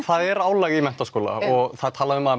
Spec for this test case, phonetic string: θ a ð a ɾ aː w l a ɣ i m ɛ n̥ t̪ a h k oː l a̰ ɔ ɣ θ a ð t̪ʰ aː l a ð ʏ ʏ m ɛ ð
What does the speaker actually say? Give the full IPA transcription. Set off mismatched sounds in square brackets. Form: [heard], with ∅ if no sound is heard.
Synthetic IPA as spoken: θ a ð [ɛ] ɾ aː w l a ɣ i m ɛ n̥ t̪ a [s] k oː l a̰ ɔ ɣ θ a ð t̪ʰ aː l a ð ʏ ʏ m [a] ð